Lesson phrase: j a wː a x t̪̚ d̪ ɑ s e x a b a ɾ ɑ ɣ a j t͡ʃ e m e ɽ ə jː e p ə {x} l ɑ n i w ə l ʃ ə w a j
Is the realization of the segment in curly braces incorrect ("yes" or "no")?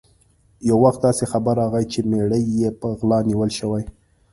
yes